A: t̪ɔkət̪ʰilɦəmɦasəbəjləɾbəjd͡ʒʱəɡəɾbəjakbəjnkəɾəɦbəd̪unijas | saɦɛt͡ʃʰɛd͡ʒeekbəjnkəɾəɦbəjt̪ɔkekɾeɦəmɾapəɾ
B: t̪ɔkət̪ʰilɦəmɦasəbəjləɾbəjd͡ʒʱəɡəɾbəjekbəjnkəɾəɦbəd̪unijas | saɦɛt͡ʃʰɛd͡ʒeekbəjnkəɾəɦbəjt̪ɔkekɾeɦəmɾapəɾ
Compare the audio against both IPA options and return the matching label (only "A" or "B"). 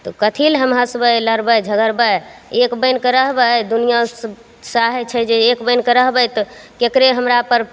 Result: B